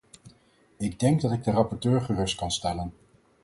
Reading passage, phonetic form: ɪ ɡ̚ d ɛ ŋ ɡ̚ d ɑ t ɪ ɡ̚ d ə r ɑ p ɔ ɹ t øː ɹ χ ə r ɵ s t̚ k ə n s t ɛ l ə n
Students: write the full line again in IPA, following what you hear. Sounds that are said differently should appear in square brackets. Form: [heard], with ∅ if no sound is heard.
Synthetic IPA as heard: ɪ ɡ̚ d ɛ ŋ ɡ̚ d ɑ t ɪ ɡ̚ d ə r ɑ p ɔ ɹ t øː ɹ χ ə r ɵ s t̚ k [ɑ] n s t ɛ l ə n